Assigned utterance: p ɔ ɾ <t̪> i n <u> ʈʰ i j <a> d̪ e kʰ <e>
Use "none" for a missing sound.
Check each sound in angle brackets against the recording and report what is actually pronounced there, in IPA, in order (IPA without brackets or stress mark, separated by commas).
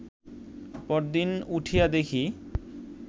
d̪, u, a, i